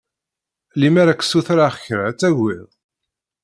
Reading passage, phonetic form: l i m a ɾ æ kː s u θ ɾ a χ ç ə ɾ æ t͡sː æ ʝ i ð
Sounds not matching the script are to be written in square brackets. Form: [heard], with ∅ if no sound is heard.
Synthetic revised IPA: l i m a ɾ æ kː s u θ ɾ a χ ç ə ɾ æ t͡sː æ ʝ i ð